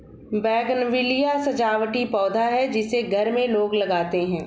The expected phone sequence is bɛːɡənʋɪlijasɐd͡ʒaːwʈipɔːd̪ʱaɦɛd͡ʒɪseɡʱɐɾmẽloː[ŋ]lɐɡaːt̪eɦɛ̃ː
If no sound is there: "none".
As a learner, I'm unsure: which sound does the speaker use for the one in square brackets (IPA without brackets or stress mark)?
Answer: ɡ